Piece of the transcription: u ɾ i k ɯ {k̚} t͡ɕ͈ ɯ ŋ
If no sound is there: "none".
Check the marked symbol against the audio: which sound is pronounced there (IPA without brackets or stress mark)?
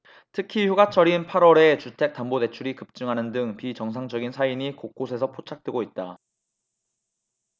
p̚